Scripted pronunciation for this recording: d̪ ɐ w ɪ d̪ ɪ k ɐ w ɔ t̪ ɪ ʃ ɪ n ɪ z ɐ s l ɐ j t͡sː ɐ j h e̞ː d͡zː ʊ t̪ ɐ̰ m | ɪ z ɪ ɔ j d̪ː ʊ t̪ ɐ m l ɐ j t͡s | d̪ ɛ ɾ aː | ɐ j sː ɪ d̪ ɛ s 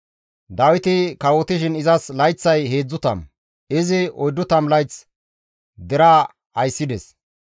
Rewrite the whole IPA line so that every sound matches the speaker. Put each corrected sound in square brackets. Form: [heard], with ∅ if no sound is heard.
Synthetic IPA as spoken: d̪ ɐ w ɪ [t̪] ɪ k ɐ w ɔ t̪ ɪ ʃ ɪ n ɪ z ɐ s l ɐ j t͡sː ɐ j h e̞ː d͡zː ʊ t̪ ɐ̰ m | ɪ z ɪ ɔ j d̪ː ʊ t̪ ɐ m l ɐ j t͡s | d̪ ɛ ɾ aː | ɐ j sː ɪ d̪ ɛ s